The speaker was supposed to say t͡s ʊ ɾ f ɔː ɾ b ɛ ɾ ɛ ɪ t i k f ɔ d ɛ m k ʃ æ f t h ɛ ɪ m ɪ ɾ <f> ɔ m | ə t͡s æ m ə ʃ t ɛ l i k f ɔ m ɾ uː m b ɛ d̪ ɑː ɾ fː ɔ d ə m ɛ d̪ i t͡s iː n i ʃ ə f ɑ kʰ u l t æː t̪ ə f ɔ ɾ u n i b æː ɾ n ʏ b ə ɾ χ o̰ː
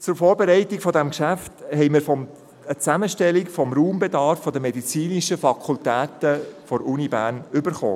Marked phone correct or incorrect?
correct